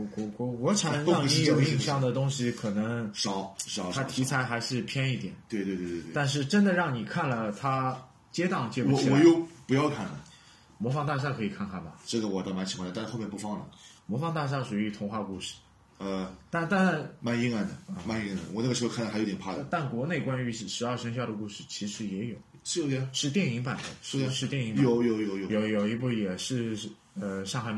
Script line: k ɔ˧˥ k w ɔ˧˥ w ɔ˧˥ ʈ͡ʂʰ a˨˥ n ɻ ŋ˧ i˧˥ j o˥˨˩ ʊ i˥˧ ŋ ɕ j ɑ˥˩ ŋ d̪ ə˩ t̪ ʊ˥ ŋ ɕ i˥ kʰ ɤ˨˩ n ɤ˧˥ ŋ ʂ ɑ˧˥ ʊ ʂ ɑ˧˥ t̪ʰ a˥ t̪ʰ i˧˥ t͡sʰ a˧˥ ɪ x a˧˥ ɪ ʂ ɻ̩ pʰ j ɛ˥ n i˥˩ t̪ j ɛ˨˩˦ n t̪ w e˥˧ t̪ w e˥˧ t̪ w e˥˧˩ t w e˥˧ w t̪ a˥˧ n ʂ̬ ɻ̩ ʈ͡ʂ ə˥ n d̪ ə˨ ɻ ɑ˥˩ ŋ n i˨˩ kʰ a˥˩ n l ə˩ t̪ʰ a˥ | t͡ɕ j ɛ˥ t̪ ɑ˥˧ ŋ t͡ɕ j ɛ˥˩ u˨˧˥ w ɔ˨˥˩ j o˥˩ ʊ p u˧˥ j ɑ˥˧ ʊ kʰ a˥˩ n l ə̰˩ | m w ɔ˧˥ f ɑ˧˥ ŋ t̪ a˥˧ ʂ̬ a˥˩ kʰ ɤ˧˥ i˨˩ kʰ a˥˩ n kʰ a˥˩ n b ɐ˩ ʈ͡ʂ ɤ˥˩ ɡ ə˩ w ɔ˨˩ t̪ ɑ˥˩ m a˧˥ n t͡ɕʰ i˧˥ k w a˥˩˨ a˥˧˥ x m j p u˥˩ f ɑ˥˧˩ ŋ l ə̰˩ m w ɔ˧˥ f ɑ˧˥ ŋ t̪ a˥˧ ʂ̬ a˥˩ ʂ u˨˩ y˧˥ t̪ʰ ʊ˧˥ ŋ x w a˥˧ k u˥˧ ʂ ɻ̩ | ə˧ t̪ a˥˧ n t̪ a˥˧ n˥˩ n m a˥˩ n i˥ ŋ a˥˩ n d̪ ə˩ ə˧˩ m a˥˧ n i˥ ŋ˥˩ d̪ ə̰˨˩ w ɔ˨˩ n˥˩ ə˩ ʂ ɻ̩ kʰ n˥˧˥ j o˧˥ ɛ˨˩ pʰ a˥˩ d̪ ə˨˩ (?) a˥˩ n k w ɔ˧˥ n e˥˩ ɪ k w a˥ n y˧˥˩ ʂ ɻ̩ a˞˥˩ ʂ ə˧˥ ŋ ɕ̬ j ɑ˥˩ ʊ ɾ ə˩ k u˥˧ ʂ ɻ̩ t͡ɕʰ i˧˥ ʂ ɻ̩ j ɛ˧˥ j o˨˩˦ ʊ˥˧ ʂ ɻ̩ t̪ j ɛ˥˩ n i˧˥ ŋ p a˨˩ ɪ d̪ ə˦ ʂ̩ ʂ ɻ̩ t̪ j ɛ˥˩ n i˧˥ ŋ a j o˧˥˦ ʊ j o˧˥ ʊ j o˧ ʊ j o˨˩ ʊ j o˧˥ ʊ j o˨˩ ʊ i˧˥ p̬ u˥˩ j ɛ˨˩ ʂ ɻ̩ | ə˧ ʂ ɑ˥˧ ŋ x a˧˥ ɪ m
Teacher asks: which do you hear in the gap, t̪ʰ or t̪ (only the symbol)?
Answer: t̪